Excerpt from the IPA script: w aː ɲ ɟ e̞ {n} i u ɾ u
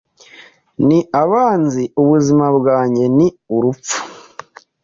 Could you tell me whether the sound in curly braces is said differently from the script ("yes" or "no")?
no